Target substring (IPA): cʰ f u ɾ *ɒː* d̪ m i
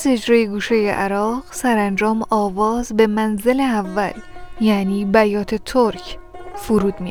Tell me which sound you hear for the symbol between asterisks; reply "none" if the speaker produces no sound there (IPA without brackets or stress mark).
uː